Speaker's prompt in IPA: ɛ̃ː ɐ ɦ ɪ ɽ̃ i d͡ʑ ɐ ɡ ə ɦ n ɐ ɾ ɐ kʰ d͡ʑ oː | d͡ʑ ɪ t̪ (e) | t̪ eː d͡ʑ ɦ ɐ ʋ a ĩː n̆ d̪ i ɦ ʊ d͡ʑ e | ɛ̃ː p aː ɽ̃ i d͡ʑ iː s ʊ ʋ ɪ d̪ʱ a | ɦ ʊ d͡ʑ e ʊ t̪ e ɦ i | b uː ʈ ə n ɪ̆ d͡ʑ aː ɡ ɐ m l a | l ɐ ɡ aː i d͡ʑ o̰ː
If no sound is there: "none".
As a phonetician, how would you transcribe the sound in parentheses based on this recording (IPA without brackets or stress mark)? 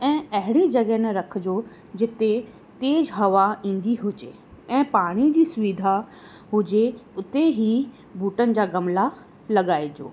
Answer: e